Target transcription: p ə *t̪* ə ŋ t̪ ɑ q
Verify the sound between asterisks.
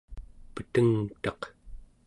correct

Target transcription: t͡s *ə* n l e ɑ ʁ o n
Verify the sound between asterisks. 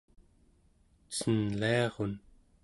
correct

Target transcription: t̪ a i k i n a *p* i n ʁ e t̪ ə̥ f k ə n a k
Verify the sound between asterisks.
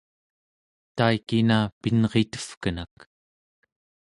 correct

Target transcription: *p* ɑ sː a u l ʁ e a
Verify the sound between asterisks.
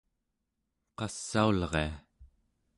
incorrect: q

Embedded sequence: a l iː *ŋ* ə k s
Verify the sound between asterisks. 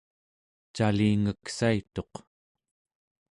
correct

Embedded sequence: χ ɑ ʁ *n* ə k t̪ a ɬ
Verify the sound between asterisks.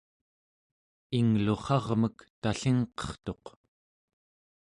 incorrect: m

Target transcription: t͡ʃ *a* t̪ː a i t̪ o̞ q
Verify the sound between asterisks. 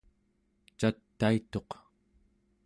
correct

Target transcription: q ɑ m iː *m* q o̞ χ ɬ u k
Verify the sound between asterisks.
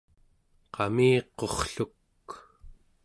incorrect: none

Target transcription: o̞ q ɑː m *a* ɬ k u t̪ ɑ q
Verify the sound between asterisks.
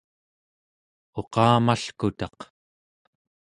correct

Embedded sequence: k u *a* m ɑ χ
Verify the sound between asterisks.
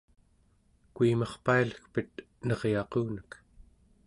incorrect: i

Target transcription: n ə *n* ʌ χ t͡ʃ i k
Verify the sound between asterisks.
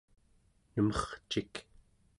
incorrect: m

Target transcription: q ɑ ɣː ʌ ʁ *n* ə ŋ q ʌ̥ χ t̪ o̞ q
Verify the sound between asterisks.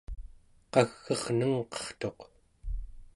correct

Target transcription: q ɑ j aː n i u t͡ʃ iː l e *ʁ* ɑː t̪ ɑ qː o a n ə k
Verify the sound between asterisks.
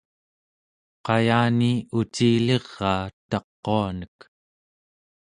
incorrect: ʁː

